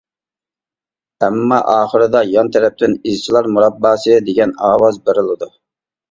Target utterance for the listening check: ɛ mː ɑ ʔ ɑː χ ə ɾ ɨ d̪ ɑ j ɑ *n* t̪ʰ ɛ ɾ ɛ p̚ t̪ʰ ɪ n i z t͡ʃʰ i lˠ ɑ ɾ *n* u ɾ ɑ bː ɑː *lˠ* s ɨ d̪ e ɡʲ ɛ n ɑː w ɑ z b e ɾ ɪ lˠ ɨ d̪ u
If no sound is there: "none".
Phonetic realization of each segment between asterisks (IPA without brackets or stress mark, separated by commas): n, m, none